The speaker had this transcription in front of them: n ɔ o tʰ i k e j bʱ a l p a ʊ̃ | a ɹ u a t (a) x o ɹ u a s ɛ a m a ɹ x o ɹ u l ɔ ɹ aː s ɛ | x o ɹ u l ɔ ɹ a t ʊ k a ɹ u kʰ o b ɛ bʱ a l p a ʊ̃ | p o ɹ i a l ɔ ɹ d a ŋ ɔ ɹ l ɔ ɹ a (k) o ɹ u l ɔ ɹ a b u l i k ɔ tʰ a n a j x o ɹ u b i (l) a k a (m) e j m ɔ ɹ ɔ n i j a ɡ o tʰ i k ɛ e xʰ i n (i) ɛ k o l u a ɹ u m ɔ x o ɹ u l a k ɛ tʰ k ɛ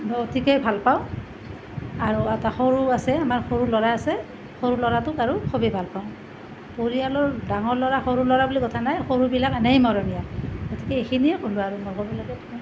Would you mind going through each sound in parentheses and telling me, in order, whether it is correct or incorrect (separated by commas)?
correct, incorrect, correct, incorrect, correct